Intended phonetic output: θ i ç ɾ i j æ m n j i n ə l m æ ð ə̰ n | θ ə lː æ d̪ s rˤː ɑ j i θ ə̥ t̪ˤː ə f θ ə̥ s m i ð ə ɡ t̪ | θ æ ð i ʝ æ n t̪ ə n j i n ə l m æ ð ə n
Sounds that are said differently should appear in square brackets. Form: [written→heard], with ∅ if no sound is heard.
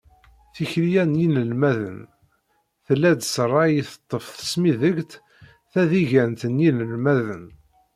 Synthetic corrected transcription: θ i ç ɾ i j æ [m→∅] n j i n ə l m æ ð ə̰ n | θ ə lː æ d̪ s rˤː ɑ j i θ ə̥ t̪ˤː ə f θ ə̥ s m i ð ə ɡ t̪ | θ æ ð i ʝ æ n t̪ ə n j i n ə l m æ ð ə n